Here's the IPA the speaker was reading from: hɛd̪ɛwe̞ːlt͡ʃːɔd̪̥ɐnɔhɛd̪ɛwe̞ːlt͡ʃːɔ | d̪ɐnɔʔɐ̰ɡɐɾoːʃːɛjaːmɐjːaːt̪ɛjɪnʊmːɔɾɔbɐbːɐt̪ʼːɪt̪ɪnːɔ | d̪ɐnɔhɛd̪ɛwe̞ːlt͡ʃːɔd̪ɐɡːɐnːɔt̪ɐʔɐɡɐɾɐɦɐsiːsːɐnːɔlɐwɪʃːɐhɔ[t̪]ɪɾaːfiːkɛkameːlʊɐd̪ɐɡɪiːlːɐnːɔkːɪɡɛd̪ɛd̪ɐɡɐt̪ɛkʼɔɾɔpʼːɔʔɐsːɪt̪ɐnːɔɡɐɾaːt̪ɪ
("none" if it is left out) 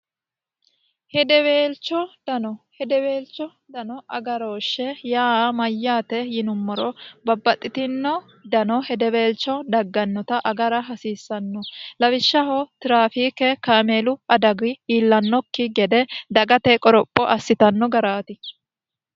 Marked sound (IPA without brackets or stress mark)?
t̪